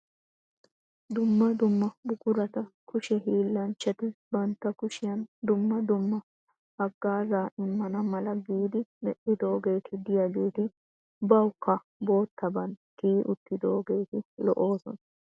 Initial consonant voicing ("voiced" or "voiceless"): voiced